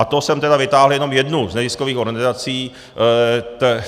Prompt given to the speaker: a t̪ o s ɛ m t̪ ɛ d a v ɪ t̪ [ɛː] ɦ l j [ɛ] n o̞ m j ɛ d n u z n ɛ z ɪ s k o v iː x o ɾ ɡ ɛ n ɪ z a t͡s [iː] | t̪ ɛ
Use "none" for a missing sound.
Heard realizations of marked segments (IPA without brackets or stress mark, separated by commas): aː, ɛ, iː